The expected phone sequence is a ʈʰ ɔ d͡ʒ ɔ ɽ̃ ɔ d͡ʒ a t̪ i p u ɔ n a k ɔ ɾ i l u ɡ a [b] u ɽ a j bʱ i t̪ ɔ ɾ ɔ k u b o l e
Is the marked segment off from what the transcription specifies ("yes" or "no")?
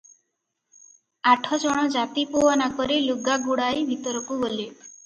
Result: yes